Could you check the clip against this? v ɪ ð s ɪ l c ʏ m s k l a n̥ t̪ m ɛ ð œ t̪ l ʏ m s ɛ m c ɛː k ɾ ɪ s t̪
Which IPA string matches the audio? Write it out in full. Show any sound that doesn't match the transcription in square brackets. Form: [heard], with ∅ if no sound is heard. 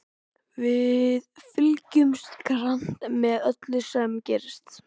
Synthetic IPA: v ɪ ð [f] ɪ l c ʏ m s k [ɾ] a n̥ t̪ m ɛ ð œ t̪ l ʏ [∅] s ɛ m c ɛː [∅] ɾ ɪ s t̪

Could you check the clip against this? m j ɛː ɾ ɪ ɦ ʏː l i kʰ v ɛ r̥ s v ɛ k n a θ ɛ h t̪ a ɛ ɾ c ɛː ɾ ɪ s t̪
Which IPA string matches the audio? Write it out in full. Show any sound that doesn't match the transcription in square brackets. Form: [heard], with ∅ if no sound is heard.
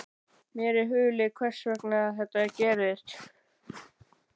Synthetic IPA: m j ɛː ɾ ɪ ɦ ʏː l [ɪ] kʰ v ɛ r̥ s v ɛ k n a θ ɛ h t̪ a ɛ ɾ c ɛː ɾ ɪ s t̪

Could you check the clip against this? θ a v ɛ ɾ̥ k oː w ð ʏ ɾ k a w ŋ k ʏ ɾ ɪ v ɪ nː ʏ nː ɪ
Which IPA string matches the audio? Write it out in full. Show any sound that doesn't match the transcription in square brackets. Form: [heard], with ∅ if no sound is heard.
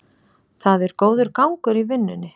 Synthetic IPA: θ a [ð] ɛ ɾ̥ k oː w ð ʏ ɾ k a w ŋ k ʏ ɾ [i] v ɪ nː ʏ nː ɪ

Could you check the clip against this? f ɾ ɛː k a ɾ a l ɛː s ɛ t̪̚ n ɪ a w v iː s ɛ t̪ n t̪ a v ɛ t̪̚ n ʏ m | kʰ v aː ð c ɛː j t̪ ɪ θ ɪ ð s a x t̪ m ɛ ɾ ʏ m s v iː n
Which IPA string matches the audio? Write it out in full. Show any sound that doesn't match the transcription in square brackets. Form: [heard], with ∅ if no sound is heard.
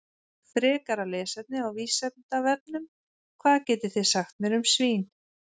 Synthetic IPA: f ɾ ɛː k a ɾ a l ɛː s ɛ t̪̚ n ɪ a w v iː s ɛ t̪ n t̪ a v ɛ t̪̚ n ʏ m | kʰ v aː ð c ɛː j t̪ ɪ θ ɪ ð s a x t̪ m ɛ ɾ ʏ m s v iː n

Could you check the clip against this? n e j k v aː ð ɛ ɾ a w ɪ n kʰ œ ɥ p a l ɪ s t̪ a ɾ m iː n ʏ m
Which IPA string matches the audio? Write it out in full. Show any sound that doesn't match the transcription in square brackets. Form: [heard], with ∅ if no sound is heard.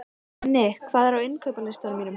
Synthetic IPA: n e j [kʰ] v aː ð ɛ ɾ a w ɪ n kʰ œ ɥ p a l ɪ s t̪ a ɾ m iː n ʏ m

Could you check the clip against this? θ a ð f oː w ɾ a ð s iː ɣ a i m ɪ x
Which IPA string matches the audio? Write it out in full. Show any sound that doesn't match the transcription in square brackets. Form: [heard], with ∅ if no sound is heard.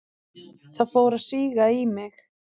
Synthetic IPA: θ a ð f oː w ɾ a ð s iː ɣ a i m ɪ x

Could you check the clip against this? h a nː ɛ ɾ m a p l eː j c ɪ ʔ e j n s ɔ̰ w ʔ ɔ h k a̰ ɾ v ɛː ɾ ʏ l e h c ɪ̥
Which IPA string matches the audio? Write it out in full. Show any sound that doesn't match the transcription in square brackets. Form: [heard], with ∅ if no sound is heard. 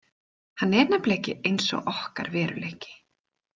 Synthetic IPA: h a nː ɛ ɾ [n] a p l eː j c ɪ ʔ e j n s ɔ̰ [ɣ] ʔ ɔ h k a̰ ɾ v ɛː ɾ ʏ l e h c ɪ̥

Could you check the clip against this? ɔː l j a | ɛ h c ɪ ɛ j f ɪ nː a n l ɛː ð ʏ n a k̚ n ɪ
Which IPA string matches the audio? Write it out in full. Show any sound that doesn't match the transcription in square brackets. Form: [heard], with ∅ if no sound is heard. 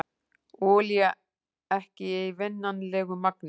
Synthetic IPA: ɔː l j a | ɛ h c ɪ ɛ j [v] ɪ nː a n l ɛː [ɣ] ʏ [m] a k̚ n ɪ

